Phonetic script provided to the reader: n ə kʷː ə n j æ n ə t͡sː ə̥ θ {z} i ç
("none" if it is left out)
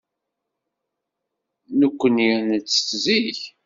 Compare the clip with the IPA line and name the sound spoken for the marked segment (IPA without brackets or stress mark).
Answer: z